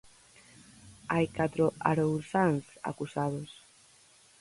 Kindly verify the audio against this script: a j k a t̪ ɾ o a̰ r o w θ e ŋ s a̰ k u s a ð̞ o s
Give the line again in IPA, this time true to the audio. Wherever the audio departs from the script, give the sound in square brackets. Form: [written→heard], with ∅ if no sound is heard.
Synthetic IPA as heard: a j k a t̪ ɾ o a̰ [r→ɾ] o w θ [e→a] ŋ s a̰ k u s a ð̞ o s